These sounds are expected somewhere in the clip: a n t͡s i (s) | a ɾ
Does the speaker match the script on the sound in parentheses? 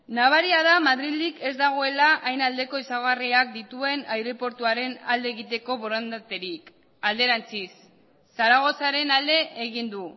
no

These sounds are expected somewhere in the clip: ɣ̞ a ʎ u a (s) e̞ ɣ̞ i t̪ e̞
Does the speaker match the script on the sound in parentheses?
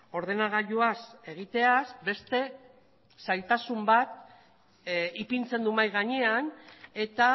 yes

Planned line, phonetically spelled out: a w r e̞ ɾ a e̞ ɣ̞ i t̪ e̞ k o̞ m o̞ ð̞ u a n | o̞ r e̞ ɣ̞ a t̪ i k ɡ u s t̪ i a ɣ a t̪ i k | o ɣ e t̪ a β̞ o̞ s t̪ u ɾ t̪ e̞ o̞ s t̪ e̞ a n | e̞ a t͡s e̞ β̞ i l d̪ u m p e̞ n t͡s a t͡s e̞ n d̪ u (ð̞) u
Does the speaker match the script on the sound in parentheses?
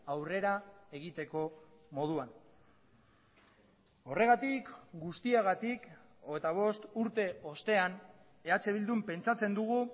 no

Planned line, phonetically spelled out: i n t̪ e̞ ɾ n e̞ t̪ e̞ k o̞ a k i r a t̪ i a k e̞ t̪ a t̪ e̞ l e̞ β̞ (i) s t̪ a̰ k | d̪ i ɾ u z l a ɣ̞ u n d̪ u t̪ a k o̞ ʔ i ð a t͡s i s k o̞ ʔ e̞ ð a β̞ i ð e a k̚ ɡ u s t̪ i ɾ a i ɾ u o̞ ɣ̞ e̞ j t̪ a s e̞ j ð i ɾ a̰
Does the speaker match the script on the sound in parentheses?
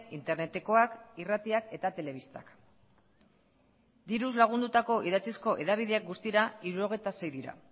yes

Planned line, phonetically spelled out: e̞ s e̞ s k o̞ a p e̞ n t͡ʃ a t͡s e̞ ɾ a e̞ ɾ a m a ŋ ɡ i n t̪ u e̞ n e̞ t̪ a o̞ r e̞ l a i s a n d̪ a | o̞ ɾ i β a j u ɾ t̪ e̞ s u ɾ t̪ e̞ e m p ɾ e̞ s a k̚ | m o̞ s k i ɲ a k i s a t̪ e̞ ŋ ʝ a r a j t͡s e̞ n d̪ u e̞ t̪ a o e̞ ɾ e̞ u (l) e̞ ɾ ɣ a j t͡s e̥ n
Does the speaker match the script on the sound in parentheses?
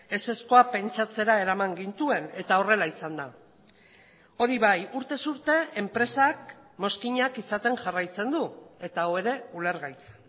yes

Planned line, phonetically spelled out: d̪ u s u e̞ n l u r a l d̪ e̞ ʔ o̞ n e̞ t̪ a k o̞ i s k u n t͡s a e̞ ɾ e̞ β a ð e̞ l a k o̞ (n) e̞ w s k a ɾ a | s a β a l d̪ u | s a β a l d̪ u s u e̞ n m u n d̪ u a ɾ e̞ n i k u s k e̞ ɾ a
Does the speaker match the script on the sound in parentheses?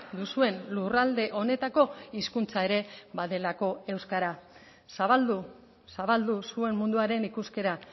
no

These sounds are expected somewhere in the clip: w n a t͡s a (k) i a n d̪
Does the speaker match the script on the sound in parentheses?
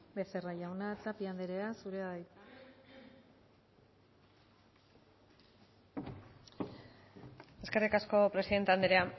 no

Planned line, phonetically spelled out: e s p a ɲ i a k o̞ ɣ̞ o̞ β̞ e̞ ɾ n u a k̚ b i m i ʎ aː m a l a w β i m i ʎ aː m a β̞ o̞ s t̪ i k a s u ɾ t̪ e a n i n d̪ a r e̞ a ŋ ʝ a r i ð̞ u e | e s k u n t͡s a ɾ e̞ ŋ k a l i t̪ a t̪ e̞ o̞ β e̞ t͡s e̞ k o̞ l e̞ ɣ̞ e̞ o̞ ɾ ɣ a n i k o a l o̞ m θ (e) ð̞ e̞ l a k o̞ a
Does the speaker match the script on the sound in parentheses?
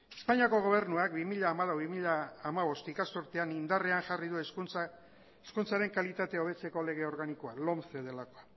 yes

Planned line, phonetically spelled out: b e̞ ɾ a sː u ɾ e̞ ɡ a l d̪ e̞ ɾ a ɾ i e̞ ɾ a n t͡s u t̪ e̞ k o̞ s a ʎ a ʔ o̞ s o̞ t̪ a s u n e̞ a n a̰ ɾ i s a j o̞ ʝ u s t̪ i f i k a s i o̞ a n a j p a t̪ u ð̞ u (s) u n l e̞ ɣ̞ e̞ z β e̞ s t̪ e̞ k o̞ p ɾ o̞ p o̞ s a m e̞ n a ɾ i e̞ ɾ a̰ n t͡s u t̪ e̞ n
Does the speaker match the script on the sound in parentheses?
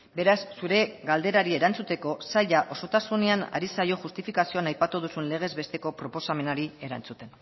yes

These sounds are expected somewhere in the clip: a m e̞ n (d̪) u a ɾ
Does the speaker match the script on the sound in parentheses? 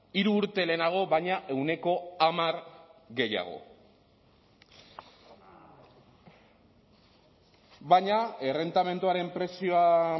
no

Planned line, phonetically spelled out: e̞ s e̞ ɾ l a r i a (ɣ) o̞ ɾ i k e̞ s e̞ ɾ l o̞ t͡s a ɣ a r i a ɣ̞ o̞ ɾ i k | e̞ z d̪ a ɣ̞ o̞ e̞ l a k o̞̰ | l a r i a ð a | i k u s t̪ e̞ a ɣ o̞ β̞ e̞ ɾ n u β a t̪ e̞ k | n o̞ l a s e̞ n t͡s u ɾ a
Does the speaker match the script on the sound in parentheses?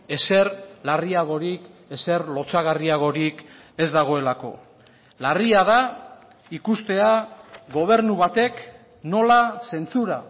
yes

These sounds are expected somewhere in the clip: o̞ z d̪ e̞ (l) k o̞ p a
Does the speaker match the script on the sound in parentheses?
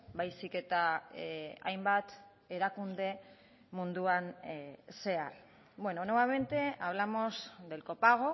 yes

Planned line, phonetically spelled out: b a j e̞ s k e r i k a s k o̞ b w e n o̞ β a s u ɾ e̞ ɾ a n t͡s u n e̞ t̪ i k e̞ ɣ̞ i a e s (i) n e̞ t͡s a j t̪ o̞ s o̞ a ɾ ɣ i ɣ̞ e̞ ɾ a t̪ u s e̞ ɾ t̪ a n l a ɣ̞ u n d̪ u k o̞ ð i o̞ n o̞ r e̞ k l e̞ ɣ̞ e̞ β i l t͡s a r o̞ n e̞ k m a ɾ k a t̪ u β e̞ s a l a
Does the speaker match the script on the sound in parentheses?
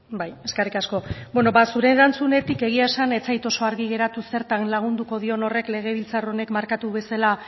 no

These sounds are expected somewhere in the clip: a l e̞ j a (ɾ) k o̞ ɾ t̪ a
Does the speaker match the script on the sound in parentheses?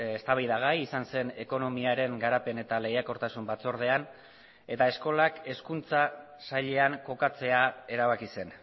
no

